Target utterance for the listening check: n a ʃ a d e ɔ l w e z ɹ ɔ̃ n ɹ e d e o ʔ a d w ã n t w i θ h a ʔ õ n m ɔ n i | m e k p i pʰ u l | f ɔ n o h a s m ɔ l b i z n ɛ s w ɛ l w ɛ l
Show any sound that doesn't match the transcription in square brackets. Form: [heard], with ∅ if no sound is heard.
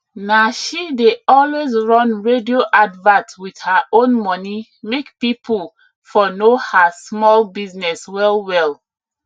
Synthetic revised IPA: n a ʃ [i] d e ɔ l w e z ɹ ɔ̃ n ɹ e d [i] o ʔ a d [v] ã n t w i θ h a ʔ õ n m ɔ n i | m e k p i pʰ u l | f ɔ n o h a s m ɔ l b i z n ɛ s w ɛ l w ɛ l